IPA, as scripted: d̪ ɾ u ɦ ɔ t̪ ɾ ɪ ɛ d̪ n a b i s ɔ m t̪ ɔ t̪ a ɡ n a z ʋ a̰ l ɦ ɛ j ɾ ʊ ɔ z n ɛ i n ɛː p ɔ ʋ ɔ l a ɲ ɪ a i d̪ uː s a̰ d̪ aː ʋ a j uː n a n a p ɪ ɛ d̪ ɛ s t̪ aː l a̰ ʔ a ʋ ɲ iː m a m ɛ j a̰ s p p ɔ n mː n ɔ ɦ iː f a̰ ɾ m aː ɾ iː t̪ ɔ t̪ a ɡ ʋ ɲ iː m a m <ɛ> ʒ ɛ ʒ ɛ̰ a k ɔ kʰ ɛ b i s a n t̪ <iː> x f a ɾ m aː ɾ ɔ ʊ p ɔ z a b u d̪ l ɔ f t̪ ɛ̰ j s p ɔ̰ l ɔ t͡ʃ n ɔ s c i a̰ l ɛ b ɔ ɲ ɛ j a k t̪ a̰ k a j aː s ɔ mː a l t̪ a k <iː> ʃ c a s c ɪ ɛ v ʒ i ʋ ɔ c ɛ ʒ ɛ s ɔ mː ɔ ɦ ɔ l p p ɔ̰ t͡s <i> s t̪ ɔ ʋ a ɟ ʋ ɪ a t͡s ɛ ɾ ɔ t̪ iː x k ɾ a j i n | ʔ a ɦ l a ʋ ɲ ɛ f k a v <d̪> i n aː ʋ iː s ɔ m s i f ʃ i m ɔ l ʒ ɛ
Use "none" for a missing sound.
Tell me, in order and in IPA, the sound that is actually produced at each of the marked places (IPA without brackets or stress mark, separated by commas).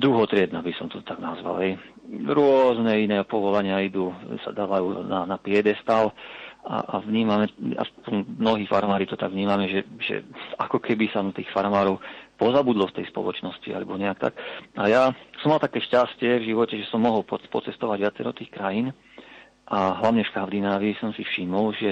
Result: ɛ, iː, ɛː, ɛ, d̪